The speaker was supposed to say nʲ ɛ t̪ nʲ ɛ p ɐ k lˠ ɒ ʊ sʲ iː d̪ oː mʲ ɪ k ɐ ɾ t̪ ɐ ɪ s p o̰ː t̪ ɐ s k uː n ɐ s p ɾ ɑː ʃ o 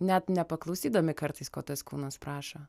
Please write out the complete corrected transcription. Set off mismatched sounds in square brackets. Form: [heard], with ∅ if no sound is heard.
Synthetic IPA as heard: nʲ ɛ t̪ nʲ ɛ p ɐ k lˠ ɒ ʊ sʲ iː d̪ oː mʲ ɪ k ɐ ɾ t̪ ɐ ɪ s [k] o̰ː t̪ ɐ s k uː n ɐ s p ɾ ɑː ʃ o